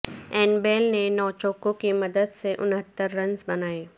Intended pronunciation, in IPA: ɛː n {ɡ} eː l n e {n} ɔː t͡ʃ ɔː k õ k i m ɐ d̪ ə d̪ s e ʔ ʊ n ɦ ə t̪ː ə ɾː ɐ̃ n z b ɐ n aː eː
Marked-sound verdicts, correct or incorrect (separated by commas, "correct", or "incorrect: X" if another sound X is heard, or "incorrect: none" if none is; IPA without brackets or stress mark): incorrect: b, correct